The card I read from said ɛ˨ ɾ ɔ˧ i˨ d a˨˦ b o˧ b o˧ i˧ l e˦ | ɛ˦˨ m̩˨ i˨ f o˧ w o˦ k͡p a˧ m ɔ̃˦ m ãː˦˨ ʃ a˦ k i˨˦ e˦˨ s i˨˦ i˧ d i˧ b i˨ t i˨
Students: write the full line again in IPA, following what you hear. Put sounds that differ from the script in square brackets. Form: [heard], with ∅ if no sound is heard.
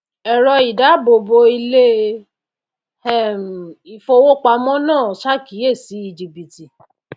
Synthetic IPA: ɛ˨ ɾ ɔ˧ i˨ d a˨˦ b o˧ b o˧ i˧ l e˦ | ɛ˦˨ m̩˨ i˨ f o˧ w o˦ k͡p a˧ m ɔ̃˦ [n] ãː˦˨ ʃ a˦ k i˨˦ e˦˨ s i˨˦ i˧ [d͡ʒ] i˧ b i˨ t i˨